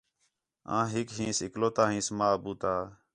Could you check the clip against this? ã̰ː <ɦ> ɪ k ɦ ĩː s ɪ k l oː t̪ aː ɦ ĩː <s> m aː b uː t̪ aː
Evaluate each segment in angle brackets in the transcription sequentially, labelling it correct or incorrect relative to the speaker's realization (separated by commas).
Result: correct, correct